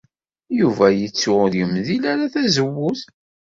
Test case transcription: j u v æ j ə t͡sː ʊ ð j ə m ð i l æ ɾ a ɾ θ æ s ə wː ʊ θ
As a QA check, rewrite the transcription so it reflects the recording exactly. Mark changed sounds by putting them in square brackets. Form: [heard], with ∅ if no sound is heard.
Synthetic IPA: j u v æ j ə t͡sː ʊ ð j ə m ð i l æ ɾ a [∅] θ æ [z] ə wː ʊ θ